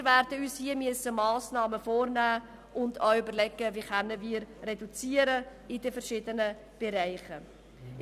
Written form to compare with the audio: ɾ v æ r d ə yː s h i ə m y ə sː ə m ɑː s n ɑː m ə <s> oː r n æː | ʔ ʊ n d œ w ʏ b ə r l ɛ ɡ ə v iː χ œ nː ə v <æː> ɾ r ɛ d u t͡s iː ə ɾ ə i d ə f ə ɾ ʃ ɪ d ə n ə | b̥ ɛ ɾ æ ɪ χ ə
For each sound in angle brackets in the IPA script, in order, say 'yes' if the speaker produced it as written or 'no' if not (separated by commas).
no, no